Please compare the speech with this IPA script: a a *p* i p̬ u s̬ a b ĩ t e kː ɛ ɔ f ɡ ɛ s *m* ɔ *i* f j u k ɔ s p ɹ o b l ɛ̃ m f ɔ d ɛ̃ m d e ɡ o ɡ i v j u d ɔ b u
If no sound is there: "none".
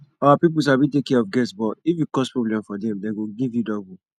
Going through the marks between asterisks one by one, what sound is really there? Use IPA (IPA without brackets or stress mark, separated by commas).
p, b, i